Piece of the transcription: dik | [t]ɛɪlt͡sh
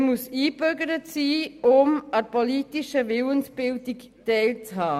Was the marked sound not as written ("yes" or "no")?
no